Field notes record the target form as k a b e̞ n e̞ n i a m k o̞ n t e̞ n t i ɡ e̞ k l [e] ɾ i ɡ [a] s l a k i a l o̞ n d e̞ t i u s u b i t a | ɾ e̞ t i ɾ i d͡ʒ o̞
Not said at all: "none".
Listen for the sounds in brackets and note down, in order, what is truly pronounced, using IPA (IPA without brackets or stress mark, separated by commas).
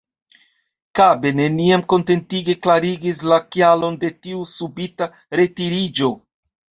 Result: a, i